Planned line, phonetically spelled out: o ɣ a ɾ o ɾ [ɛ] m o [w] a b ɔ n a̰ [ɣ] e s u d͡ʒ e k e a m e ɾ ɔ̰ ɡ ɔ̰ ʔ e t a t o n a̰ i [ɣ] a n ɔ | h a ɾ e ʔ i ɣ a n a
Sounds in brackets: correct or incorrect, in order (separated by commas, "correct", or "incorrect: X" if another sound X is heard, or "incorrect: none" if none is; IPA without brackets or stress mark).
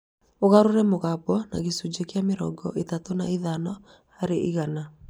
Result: correct, incorrect: ɣ, correct, incorrect: ð